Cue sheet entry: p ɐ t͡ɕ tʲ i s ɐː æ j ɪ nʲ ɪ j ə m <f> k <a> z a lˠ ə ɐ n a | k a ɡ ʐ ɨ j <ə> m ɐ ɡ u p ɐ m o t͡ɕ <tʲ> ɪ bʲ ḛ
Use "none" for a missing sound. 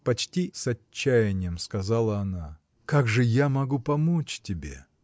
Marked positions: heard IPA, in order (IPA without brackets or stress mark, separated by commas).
s, ɐ, a, tʲ